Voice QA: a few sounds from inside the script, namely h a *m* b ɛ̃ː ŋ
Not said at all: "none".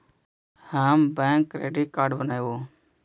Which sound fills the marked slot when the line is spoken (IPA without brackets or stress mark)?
m